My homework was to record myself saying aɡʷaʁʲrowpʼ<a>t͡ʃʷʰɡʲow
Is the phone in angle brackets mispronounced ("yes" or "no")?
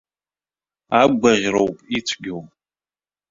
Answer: yes